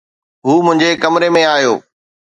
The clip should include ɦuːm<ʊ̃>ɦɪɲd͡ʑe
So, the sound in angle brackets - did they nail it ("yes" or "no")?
yes